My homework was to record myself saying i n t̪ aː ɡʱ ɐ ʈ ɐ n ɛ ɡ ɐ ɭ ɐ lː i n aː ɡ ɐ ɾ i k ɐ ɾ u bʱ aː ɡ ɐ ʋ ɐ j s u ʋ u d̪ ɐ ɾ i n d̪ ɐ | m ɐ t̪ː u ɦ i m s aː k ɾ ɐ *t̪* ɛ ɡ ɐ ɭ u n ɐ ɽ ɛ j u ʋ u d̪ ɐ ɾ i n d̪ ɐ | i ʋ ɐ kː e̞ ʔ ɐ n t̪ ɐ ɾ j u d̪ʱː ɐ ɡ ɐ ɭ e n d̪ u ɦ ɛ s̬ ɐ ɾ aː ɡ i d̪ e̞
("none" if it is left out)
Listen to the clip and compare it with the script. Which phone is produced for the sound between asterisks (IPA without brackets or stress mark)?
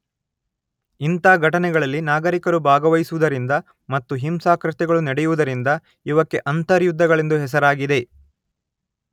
t̪